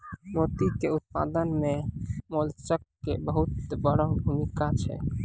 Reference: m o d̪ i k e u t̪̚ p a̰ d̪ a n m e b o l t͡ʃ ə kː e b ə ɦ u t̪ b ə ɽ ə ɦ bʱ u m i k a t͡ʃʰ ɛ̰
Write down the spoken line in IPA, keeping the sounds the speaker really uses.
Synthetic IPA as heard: m o t̪ i k e u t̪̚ p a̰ d̪ ə n m e m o l t͡ʃ ə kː e b ə ɦ u t̪ b ə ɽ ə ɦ bʱ u m i k a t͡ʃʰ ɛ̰